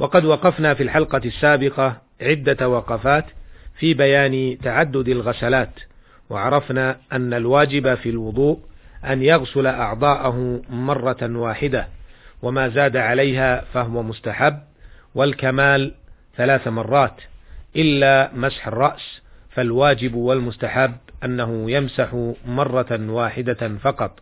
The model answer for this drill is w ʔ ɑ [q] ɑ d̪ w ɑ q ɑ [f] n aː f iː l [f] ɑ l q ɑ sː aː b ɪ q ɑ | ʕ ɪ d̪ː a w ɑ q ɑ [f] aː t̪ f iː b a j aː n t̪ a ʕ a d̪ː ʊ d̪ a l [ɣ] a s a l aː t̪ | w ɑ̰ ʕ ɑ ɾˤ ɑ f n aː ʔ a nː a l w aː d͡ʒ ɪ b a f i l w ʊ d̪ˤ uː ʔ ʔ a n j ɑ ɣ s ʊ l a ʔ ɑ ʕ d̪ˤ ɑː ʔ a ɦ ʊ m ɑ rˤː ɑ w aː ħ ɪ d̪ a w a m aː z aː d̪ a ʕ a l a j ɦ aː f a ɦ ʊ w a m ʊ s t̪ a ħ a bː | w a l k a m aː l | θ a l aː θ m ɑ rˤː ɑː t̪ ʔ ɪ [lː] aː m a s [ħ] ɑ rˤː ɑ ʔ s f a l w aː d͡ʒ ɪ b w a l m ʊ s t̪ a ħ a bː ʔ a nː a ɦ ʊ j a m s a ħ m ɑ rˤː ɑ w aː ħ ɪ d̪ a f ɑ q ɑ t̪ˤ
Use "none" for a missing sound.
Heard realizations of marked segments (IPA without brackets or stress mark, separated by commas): q, f, ħ, f, ɣ, lː, ħ